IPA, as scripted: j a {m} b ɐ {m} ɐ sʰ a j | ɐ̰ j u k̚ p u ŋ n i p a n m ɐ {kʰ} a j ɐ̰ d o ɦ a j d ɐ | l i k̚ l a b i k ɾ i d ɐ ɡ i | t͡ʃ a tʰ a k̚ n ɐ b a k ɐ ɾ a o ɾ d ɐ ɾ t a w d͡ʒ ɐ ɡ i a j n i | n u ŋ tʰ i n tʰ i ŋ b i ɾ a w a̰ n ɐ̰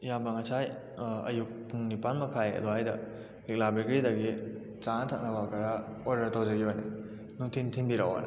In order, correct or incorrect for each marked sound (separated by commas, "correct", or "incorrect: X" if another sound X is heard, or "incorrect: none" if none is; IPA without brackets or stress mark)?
correct, incorrect: ŋ, correct